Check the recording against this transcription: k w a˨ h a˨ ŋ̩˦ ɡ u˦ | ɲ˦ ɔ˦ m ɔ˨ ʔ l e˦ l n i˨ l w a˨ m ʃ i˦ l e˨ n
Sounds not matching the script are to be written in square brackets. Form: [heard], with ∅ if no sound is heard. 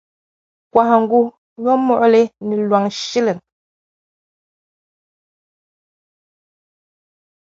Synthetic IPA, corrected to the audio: k w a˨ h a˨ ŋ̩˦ ɡ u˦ | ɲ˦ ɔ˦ m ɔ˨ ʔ l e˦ [∅] n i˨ l w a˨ [ŋ] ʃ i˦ l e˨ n